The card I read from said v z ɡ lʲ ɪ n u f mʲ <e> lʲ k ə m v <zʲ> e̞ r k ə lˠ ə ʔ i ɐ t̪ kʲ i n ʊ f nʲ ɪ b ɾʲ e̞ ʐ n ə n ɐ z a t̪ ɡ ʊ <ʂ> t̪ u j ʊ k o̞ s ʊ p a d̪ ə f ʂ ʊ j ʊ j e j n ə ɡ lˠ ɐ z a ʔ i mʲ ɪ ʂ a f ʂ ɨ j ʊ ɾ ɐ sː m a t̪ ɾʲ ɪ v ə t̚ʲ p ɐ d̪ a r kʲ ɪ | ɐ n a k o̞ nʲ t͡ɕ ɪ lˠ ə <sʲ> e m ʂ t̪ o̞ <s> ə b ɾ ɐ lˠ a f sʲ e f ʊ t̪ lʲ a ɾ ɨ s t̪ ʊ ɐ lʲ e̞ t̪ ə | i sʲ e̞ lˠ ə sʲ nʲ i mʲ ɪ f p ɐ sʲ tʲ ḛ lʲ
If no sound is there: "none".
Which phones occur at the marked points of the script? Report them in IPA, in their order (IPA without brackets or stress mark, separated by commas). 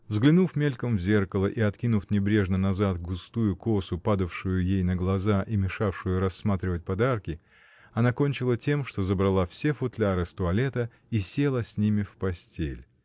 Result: e, zʲ, s, tʲ, z